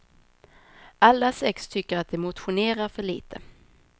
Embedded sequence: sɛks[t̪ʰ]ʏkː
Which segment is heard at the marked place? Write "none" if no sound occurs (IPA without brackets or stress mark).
t̪ʰ